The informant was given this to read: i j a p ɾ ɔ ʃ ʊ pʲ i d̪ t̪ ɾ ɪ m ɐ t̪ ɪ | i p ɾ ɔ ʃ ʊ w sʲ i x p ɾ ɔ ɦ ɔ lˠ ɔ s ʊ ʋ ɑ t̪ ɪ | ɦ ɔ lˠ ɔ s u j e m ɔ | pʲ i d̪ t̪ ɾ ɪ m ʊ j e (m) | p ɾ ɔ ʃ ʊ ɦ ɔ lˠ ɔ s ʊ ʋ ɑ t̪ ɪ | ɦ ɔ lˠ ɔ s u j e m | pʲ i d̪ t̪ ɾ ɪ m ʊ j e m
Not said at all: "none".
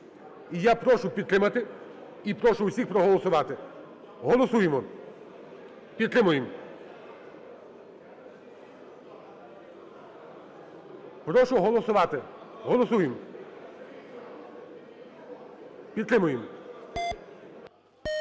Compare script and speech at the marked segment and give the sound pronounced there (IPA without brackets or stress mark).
m